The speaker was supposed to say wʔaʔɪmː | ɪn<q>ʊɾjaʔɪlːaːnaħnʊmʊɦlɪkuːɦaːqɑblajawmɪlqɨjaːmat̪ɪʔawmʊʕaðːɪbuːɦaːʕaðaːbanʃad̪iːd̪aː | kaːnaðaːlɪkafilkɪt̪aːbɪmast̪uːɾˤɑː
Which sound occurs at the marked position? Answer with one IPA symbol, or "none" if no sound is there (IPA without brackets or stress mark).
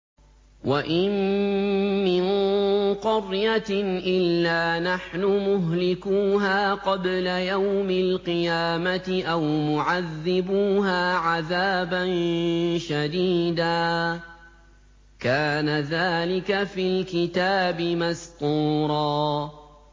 q